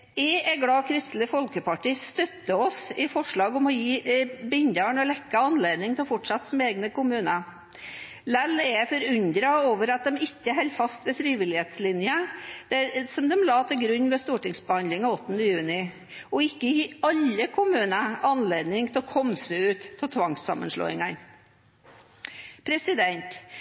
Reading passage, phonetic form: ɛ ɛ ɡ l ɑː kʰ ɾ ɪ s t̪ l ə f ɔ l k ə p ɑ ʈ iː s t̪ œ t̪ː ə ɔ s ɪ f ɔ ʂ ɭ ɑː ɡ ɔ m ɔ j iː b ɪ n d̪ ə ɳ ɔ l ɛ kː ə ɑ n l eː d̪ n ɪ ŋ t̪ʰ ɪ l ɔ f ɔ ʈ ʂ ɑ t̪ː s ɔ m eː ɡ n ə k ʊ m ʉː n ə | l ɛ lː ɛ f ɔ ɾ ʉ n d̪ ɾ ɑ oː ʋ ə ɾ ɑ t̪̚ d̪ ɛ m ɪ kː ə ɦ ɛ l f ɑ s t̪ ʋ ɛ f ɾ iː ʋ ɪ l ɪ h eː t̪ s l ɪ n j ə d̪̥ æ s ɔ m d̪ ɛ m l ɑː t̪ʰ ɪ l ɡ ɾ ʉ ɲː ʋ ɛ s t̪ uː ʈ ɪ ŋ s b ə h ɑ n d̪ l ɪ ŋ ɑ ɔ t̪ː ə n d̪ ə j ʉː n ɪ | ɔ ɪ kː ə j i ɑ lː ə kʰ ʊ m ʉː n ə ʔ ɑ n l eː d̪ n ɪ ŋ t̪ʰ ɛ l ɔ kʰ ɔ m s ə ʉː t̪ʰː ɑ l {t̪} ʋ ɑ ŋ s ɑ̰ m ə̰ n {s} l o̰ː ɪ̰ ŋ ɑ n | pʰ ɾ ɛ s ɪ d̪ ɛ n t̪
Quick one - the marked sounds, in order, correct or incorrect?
incorrect, incorrect

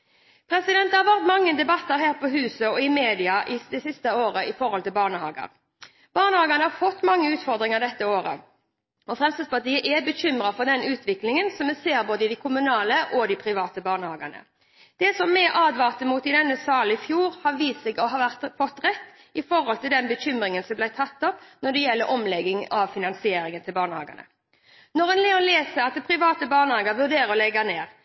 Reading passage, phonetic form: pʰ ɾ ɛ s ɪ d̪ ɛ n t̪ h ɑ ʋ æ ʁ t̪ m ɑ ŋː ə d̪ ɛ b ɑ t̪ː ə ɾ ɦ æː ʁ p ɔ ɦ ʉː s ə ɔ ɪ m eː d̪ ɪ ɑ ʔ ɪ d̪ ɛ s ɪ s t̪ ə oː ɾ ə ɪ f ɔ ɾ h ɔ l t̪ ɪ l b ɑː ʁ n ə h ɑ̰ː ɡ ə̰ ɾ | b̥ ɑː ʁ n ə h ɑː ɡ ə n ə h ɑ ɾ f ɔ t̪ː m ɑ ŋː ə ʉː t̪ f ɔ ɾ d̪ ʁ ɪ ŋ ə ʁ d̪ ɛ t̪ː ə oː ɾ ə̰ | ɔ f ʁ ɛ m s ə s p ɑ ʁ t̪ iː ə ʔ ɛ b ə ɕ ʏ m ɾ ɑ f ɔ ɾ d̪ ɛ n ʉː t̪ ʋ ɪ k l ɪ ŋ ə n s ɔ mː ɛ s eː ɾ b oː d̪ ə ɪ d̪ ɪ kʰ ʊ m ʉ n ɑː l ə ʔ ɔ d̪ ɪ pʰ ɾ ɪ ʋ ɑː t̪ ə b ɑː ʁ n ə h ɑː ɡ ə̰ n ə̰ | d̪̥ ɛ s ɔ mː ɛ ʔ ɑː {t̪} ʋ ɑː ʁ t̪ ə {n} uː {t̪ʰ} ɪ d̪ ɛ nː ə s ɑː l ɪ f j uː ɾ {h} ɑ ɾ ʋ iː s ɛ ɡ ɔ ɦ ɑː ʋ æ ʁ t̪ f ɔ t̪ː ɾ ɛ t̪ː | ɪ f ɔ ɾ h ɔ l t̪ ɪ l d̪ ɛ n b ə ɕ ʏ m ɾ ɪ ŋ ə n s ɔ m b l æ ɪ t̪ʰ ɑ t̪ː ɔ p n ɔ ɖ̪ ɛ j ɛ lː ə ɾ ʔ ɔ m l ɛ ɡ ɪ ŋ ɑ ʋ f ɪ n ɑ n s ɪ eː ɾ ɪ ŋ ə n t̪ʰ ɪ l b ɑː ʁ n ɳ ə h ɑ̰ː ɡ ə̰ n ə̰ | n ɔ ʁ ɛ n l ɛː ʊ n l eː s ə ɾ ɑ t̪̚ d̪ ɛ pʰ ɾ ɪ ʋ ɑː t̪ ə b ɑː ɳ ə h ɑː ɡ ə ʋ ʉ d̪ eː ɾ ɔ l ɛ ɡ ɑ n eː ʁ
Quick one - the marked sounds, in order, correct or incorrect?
incorrect, incorrect, incorrect, correct

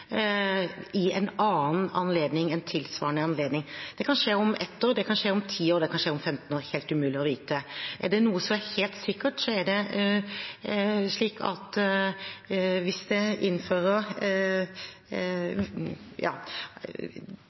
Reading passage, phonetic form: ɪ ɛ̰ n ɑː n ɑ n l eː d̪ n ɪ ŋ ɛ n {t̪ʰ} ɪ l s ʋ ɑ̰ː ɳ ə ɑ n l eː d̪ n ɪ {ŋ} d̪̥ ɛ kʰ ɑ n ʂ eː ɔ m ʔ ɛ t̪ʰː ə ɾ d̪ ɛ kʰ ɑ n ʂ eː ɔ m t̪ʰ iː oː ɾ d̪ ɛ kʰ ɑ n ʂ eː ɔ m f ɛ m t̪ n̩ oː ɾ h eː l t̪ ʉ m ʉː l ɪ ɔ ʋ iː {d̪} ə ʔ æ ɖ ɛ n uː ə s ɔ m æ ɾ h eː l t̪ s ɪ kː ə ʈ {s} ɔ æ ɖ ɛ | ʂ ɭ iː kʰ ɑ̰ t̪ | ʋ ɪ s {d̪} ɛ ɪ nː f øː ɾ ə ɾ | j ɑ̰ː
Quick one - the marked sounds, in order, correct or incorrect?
correct, correct, incorrect, correct, correct

